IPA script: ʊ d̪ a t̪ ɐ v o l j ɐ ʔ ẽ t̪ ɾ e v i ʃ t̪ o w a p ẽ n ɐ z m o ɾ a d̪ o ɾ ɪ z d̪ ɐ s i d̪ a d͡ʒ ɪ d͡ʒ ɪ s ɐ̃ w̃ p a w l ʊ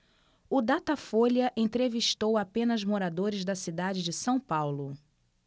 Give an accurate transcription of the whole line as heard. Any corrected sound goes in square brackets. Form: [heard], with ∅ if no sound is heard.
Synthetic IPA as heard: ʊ d̪ a t̪ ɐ [f] o l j ɐ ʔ ẽ t̪ ɾ e v i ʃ t̪ o w a p ẽ n ɐ z m o ɾ a d̪ o ɾ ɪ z d̪ ɐ s i d̪ a d͡ʒ ɪ d͡ʒ ɪ s ɐ̃ w̃ p a w l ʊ

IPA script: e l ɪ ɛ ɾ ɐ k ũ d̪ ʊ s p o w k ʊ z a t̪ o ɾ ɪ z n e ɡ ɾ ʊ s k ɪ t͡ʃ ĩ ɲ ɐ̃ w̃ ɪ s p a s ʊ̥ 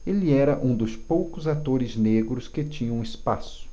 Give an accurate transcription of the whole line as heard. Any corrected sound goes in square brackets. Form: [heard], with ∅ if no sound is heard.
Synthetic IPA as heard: e l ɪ ɛ ɾ ɐ [ʔ] ũ d̪ ʊ s p o w k ʊ z a t̪ o ɾ ɪ z n e ɡ ɾ ʊ s k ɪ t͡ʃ ĩ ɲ ɐ̃ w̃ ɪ s p a s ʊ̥

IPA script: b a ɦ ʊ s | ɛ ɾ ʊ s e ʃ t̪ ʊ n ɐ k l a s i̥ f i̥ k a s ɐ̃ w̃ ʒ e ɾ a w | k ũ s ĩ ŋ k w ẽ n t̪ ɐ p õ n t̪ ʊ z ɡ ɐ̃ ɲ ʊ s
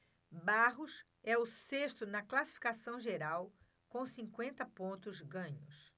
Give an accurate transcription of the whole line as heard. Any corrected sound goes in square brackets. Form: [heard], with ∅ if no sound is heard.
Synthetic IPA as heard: b a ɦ ʊ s | ɛ [∅] ʊ s e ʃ t̪ ʊ n ɐ k l a s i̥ f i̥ k a s ɐ̃ w̃ ʒ e ɾ a w | k [õ] s ĩ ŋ k w ẽ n t̪ ɐ p õ n t̪ ʊ z ɡ ɐ̃ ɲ ʊ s

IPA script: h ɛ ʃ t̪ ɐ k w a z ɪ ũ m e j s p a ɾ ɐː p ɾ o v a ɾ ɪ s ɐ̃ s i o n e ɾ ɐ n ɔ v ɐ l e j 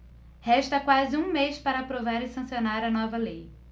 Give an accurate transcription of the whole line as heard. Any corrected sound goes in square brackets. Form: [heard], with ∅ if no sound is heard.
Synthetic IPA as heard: h ɛ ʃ t̪ ɐ k w a z ɪ ũ m e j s p a ɾ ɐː p ɾ o v a ɾ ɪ s ɐ̃ s i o n [a] ɾ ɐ n ɔ v ɐ l e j

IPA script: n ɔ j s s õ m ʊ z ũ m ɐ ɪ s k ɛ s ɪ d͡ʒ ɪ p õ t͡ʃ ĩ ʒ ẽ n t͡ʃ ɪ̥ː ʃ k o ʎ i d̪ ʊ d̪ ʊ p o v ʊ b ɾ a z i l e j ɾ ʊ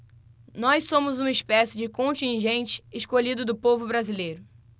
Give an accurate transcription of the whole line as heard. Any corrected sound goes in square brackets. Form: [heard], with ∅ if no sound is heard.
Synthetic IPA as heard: n ɔ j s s õ m ʊ z ũ m ɐ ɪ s [p] ɛ s ɪ d͡ʒ ɪ [k] õ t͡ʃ ĩ ʒ ẽ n t͡ʃ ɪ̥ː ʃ k o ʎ i d̪ ʊ d̪ ʊ p o v ʊ b ɾ a z i l e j ɾ ʊ

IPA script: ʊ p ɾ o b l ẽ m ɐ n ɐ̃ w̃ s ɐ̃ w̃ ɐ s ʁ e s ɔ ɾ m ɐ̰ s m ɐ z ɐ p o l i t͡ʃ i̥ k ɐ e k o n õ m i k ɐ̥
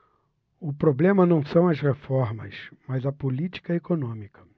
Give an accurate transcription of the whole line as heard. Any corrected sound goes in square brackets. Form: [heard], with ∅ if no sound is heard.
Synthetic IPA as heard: ʊ p ɾ o b l ẽ m ɐ n ɐ̃ w̃ s ɐ̃ w̃ ɐ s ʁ e [f] ɔ ɾ m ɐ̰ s m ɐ z ɐ p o l i t͡ʃ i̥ k ɐ e k o n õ m i k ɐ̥

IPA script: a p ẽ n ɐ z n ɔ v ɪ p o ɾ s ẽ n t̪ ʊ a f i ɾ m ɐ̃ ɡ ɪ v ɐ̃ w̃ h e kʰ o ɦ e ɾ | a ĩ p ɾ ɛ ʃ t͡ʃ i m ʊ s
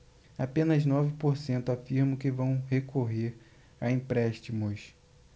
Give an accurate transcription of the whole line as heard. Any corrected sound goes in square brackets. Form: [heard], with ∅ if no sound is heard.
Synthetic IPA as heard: a p ẽ n ɐ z n ɔ v ɪ p o ɾ s ẽ n t̪ ʊ a f i ɾ m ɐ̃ [k] ɪ v ɐ̃ w̃ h e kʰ o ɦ e ɾ | a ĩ p ɾ ɛ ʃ t͡ʃ i m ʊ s

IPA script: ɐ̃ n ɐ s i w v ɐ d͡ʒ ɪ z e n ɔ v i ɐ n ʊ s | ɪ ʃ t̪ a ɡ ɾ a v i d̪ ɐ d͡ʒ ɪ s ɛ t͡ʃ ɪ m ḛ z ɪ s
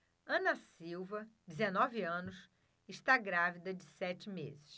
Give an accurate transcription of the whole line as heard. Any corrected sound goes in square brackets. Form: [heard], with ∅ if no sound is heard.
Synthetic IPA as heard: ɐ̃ n ɐ s i w v ɐ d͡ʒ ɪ z e n ɔ v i [ɐ̃] n ʊ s | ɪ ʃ t̪ a ɡ ɾ a v i d̪ ɐ d͡ʒ ɪ s ɛ t͡ʃ ɪ m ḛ z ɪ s

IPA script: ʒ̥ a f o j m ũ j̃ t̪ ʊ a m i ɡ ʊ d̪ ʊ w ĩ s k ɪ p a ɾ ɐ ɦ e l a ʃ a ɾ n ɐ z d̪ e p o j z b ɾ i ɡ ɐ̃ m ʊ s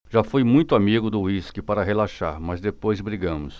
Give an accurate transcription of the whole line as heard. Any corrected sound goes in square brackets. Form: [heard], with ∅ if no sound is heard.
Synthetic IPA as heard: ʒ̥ a f o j m ũ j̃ t̪ ʊ a m i ɡ ʊ d̪ ʊ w [i] s k ɪ p a ɾ ɐ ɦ e l a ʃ a ɾ [m] ɐ z d̪ e p o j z b ɾ i ɡ ɐ̃ m ʊ s

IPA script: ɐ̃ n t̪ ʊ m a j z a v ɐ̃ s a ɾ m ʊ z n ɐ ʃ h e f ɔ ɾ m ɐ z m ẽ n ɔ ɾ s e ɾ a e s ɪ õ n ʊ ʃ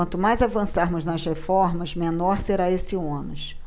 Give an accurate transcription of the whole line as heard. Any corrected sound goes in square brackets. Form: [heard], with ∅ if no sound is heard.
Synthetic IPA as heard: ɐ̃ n t̪ ʊ m a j z a v ɐ̃ s a ɾ m ʊ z n ɐ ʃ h e f ɔ ɾ m ɐ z m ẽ n ɔ ɾ s e ɾ a e s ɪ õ n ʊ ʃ

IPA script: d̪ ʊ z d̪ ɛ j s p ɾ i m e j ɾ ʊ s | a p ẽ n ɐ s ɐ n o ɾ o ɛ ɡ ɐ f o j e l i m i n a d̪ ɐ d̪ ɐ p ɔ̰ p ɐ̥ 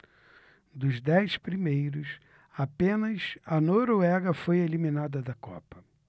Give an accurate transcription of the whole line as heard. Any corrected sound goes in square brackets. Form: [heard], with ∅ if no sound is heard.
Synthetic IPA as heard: d̪ ʊ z d̪ ɛ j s p ɾ i m e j ɾ ʊ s | a p ẽ n ɐ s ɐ n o ɾ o ɛ ɡ ɐ f o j e l i m i n a d̪ ɐ d̪ ɐ [k] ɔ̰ p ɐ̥

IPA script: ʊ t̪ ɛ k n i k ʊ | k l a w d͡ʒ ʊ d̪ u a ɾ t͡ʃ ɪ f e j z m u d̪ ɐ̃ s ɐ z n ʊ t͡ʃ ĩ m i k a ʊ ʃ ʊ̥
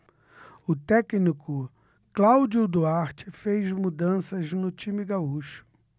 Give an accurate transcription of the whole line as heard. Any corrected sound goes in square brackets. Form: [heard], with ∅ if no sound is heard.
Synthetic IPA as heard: ʊ t̪ ɛ k n i k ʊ | k l a w d͡ʒ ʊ d̪ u a ɾ t͡ʃ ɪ f e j z m u d̪ ɐ̃ s ɐ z n ʊ t͡ʃ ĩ m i [ɡ] a [u] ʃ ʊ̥

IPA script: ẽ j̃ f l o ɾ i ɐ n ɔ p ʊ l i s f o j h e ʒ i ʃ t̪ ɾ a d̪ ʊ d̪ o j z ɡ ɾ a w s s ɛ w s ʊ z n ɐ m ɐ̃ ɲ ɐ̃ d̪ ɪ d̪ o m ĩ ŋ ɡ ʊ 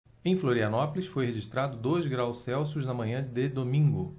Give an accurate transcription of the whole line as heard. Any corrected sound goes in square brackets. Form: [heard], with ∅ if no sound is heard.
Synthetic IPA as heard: ẽ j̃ f l o ɾ i ɐ n ɔ p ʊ l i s f o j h e ʒ i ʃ t̪ ɾ a d̪ ʊ d̪ o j z ɡ ɾ a w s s ɛ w s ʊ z n ɐ m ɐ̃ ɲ ɐ̃ d̪ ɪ d̪ o m ĩ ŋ ɡ ʊ

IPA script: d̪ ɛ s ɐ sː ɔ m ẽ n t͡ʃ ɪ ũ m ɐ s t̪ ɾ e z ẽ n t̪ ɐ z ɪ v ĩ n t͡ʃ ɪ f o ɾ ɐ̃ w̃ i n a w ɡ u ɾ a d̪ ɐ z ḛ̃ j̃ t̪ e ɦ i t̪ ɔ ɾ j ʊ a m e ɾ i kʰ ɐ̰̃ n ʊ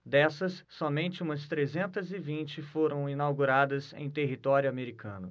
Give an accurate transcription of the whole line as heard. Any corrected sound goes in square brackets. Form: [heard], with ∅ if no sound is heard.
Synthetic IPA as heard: d̪ ɛ s ɐ sː ɔ m ẽ n t͡ʃ ɪ ũ m ɐ s t̪ ɾ e z ẽ n t̪ ɐ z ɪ v ĩ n t͡ʃ ɪ f o ɾ ɐ̃ w̃ i n a w ɡ u ɾ a d̪ ɐ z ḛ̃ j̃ t̪ e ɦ i t̪ ɔ ɾ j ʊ a m e ɾ i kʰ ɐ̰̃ n ʊ

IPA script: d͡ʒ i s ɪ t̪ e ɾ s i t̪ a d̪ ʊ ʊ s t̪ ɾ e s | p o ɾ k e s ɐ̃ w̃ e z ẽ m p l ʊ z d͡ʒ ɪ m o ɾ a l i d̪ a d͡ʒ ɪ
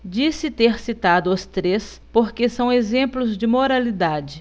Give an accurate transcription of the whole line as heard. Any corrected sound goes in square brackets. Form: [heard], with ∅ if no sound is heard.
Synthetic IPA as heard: d͡ʒ i s ɪ t̪ e ɾ s i t̪ a d̪ ʊ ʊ s t̪ ɾ e s | p o ɾ k e s ɐ̃ w̃ e z ẽ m p l ʊ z d͡ʒ ɪ m o ɾ a l i d̪ a d͡ʒ ɪ

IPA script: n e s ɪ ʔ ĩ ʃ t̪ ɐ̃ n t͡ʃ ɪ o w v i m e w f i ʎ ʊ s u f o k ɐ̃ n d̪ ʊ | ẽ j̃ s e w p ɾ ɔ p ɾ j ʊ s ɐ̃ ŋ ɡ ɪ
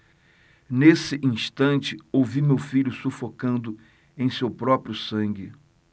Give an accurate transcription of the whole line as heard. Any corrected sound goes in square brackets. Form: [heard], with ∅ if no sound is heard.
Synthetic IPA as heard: n e s ɪ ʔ ĩ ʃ t̪ ɐ̃ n t͡ʃ ɪ o w v i m e w f i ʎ ʊ s u f o k ɐ̃ n d̪ ʊ | ẽ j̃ s e w p ɾ ɔ p ɾ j ʊ s ɐ̃ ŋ ɡ ɪ

